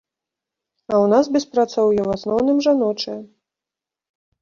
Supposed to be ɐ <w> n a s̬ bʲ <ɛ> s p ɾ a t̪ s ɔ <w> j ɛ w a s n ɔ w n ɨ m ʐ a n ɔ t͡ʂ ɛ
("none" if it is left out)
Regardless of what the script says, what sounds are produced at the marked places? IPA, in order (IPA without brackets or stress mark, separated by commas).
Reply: w, ɛ, w